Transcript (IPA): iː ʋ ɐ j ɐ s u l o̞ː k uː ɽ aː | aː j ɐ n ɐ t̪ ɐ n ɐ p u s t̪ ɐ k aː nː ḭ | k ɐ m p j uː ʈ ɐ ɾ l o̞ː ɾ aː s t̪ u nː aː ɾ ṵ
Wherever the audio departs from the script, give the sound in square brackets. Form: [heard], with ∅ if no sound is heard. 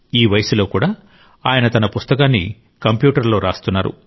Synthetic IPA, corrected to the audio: iː ʋ ɐ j ɐ s u l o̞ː k uː ɽ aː | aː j ɐ n ɐ t̪ ɐ n ɐ p u s t̪ ɐ k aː nː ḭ | k ɐ m p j uː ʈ ɐ ɾ l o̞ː ɾ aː s t̪ u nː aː ɾ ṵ